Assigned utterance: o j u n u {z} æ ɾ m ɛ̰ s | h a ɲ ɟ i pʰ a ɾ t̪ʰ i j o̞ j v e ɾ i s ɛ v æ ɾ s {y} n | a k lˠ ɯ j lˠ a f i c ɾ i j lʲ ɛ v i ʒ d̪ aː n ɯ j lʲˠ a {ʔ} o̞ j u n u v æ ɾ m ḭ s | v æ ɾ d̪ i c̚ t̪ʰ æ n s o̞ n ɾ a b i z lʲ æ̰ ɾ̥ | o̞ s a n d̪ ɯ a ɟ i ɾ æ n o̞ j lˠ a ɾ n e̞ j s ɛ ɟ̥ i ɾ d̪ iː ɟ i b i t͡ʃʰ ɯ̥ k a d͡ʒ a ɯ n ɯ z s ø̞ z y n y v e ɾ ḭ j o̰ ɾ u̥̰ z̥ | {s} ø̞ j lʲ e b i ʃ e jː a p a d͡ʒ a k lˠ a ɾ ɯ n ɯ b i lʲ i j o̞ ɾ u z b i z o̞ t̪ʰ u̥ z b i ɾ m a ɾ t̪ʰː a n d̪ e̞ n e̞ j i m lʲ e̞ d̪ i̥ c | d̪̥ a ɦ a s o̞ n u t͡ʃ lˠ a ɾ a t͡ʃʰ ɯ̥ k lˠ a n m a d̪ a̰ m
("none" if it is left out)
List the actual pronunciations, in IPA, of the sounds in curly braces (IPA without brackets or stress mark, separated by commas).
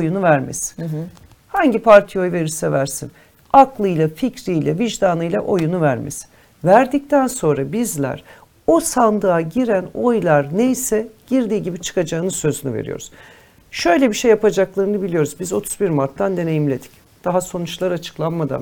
v, i, ʔ, ʃ